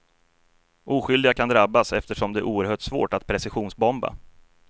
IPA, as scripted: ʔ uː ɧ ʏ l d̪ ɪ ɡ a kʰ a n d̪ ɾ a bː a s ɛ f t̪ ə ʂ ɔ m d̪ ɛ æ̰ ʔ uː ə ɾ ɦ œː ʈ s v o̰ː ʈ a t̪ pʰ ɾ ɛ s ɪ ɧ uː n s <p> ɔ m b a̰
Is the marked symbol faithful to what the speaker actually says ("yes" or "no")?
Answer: no